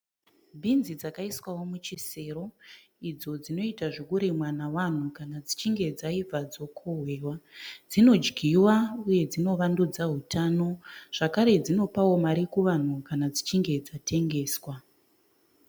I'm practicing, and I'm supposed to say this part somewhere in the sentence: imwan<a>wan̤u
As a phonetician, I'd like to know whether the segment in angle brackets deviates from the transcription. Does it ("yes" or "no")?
no